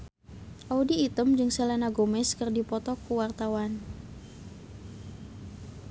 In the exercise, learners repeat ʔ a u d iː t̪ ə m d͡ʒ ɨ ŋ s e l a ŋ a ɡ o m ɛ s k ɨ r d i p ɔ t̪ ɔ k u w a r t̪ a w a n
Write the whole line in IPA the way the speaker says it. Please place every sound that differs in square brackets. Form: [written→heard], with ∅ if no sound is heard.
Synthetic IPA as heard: ʔ a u d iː t̪ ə m d͡ʒ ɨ ŋ s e l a [ŋ→n] a ɡ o m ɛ s k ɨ r d i p ɔ t̪ ɔ k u w a r t̪ a w a n